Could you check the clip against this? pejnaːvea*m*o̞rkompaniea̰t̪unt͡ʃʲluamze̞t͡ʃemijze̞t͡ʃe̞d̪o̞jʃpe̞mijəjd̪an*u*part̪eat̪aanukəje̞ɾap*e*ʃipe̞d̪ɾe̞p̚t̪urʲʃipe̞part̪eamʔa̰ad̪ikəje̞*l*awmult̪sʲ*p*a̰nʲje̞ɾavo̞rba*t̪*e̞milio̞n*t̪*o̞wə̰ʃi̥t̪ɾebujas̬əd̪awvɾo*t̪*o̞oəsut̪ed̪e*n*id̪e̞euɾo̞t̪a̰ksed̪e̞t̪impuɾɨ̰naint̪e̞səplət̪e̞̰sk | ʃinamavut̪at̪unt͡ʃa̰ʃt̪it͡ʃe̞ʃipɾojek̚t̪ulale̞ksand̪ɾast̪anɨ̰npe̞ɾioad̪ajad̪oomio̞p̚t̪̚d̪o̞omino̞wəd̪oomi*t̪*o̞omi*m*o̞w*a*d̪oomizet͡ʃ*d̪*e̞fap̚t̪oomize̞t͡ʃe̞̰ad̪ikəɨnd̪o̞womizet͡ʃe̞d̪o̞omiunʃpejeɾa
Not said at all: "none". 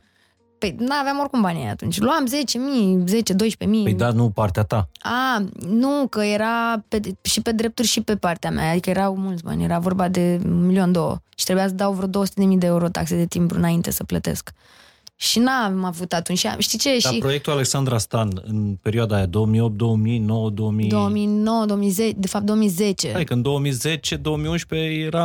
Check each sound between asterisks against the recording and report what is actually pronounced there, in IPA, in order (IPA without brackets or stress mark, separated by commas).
m, u, e, ɾ, b, d̪, d̪, d̪, m, d̪, n, ə, d̪